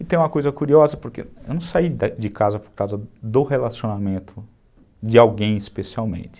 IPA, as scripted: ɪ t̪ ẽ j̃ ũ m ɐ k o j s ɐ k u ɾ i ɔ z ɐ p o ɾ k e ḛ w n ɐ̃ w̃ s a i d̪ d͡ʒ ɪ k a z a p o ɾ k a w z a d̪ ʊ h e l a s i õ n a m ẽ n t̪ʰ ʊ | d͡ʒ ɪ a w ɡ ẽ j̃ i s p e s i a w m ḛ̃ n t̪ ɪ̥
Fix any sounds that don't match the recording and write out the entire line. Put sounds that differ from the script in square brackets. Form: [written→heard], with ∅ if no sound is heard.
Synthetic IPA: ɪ t̪ ẽ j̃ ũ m ɐ k o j [s→z] ɐ k u ɾ i ɔ z ɐ p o ɾ k e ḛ w n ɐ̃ w̃ s a i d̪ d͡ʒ ɪ k a z [a→ɐ] p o ɾ k a w z [a→ɐ] d̪ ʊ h e l a s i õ n a m ẽ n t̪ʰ ʊ | d͡ʒ ɪ a w ɡ ẽ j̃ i s p e s i a w m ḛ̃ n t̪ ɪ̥